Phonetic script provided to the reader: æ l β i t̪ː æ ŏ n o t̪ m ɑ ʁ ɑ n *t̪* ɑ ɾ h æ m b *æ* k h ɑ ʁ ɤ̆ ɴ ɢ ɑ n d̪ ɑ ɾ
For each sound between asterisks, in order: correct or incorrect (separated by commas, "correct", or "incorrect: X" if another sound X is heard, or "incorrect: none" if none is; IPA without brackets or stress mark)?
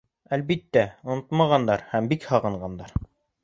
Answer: incorrect: d̪, incorrect: i